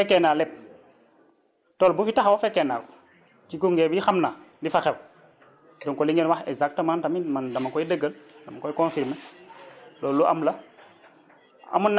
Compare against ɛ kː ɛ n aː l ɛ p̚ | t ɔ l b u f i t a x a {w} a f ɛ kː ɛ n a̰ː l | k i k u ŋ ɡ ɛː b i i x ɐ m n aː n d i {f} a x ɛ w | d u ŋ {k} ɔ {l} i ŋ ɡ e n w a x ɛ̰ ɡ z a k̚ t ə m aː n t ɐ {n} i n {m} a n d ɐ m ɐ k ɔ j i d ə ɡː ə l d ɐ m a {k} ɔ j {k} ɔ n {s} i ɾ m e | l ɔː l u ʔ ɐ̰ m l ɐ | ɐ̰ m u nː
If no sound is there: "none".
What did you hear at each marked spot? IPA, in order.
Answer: w, f, k, l, m, m, k, k, f

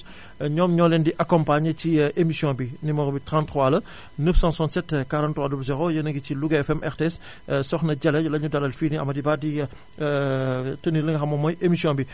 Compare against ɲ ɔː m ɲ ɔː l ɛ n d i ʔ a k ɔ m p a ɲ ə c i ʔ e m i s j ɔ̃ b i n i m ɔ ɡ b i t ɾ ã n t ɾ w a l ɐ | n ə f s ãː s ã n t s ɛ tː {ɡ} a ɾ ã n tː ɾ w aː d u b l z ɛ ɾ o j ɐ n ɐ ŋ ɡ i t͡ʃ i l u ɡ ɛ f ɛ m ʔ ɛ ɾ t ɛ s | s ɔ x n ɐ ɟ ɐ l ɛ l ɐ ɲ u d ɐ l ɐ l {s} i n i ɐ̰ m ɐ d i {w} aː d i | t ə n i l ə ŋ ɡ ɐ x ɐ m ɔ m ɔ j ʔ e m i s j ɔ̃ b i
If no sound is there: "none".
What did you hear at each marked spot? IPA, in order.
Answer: k, f, b

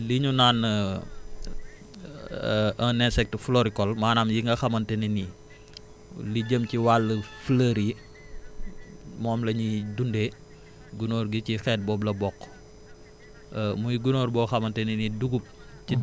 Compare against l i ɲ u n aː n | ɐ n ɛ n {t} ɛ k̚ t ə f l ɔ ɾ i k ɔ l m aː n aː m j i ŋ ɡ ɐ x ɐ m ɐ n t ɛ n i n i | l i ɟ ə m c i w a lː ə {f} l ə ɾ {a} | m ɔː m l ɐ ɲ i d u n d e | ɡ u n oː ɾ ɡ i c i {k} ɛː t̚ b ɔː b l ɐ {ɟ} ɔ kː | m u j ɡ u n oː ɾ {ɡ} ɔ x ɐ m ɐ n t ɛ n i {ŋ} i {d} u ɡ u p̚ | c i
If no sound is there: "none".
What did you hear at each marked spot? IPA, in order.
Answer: s, f, i, x, b, b, n, d

